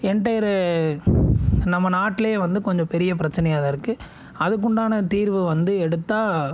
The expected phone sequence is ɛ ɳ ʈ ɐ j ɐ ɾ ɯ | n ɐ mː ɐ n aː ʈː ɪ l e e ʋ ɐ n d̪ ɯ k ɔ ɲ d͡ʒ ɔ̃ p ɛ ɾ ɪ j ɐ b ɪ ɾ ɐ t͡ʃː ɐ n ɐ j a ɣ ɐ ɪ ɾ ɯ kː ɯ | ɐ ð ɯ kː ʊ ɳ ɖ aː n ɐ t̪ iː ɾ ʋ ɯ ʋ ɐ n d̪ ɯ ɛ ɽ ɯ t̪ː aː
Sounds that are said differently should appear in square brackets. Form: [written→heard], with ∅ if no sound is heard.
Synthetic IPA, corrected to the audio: ɛ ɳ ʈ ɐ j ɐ ɾ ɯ | n ɐ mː ɐ n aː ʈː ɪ l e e ʋ ɐ n d̪ ɯ k ɔ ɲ d͡ʒ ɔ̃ p ɛ ɾ ɪ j ɐ [b→p] ɪ ɾ ɐ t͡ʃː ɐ n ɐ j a [ɣ→ð] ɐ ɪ ɾ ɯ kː ɯ | ɐ ð ɯ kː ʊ ɳ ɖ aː n ɐ t̪ iː ɾ ʋ ɯ ʋ ɐ n d̪ ɯ ɛ ɽ ɯ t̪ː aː